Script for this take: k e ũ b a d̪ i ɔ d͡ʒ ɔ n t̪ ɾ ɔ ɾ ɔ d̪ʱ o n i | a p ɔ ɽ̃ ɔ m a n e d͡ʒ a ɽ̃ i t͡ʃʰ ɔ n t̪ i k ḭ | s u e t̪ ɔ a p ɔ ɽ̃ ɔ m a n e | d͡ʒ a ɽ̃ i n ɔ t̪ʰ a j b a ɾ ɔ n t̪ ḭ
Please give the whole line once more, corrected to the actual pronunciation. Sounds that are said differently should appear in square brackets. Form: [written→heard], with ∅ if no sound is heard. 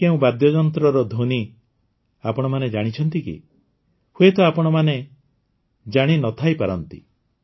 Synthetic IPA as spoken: k e ũ b a d̪ [i→j] ɔ d͡ʒ ɔ n t̪ ɾ ɔ ɾ ɔ d̪ʱ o n i | a p ɔ ɽ̃ ɔ m a n e d͡ʒ a ɽ̃ i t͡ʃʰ ɔ n t̪ i k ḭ | [s→h] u e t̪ ɔ a p ɔ ɽ̃ ɔ m a n e | d͡ʒ a ɽ̃ i n ɔ t̪ʰ a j [b→p] a ɾ ɔ n t̪ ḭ